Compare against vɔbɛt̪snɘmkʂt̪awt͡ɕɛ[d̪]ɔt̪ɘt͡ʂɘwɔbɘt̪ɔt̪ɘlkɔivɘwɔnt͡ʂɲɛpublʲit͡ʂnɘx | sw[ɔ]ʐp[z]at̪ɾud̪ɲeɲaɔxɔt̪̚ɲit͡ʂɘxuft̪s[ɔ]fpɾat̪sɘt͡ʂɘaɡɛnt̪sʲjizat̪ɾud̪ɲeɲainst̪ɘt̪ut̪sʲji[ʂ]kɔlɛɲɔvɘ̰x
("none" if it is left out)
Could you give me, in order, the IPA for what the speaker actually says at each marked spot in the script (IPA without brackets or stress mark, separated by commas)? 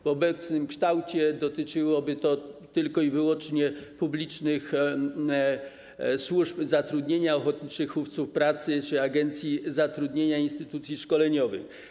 d̪, u, z, u, ʂ